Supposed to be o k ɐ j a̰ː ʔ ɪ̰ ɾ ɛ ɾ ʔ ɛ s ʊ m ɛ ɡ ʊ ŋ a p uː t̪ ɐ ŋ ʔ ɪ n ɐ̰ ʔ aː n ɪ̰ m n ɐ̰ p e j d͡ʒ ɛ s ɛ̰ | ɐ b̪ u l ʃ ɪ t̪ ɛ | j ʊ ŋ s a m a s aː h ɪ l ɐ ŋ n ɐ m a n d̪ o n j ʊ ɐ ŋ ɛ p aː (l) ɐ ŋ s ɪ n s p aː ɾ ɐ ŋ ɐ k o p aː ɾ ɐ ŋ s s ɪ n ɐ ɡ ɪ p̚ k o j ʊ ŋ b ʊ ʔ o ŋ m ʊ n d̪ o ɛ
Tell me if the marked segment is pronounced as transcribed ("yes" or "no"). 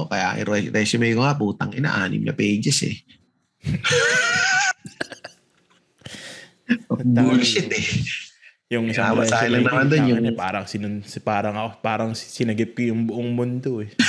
no